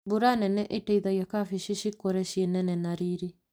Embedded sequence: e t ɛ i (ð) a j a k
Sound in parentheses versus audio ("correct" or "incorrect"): correct